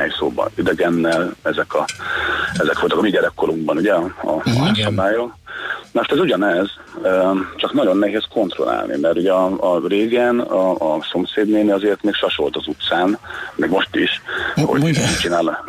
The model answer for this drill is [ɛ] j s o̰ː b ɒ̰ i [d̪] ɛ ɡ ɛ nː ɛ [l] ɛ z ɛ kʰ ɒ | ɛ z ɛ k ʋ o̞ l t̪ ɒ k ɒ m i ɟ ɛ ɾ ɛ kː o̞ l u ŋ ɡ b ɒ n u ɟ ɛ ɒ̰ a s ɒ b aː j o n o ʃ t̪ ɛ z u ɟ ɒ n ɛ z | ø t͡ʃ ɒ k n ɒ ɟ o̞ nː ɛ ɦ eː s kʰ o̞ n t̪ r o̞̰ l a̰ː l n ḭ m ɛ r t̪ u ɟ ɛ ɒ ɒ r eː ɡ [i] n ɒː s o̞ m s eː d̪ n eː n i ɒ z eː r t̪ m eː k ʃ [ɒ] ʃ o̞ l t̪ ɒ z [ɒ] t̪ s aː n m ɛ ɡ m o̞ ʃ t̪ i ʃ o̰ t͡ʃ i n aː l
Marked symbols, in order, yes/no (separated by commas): yes, yes, yes, no, yes, no